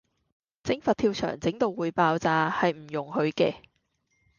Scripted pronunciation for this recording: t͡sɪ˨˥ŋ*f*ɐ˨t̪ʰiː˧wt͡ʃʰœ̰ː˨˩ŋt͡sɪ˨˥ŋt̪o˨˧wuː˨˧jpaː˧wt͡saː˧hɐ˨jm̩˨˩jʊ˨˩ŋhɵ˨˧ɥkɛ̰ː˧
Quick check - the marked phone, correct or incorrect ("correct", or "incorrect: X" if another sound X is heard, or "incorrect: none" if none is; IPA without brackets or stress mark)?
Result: correct